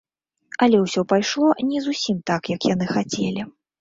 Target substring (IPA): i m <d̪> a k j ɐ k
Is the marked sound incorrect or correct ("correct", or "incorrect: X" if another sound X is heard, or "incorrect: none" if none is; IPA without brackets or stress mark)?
incorrect: t̪